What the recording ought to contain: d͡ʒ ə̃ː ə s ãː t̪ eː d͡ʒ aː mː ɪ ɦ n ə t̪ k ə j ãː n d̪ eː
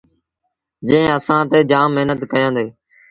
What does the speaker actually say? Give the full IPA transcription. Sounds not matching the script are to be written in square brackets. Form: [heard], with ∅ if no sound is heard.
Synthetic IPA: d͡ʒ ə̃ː ə s ãː t̪ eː d͡ʒ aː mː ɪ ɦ n ə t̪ k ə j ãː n d̪ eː